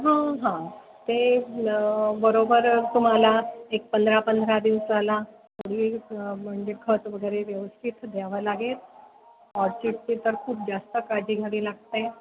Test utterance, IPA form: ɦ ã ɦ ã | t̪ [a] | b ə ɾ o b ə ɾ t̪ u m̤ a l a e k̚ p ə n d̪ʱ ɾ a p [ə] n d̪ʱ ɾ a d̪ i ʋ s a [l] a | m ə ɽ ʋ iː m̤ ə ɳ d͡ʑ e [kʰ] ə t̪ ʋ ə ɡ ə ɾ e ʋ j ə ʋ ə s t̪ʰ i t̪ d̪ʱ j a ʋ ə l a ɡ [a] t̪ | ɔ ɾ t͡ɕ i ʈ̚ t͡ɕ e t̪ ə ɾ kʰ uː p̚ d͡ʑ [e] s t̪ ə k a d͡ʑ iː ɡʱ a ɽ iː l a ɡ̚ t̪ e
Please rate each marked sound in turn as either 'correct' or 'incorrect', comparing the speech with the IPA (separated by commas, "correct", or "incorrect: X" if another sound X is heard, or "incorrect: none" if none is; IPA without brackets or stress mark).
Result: incorrect: e, correct, correct, correct, incorrect: e, incorrect: a